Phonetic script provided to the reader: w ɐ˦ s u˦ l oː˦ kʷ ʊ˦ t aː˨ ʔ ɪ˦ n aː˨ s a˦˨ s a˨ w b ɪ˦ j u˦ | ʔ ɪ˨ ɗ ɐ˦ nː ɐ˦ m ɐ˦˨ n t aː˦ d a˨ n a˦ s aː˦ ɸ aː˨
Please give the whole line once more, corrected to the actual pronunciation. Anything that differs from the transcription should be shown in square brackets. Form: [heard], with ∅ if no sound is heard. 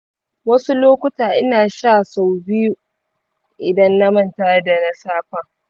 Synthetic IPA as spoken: w ɐ˦ s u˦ l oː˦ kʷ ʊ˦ t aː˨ ʔ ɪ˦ n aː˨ [ʃ] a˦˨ s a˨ w b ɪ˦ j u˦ | ʔ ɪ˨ [d] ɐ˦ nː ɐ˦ m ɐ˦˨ n t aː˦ d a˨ n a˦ s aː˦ ɸ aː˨